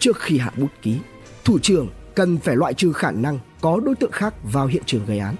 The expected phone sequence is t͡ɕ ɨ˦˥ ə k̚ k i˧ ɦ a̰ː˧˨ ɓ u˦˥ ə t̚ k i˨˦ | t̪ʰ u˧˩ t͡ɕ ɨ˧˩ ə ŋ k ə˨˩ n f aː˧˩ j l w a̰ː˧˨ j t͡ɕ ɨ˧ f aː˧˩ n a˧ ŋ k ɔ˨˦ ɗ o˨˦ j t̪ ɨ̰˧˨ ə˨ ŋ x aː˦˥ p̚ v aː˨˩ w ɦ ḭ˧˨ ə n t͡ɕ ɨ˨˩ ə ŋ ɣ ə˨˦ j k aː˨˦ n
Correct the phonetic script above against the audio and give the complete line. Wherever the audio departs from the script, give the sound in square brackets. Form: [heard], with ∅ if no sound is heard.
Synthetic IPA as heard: t͡ɕ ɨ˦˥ ə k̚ [x] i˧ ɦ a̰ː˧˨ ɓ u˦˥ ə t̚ k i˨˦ | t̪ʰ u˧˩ t͡ɕ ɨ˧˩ ə ŋ k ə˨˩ n f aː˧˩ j l w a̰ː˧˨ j t͡ɕ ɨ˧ [x] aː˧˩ n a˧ ŋ k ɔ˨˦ ɗ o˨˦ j t̪ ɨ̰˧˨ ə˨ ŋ x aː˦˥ [k̚] v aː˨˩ w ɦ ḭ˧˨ ə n t͡ɕ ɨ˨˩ ə ŋ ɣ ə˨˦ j [ʔ] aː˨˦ n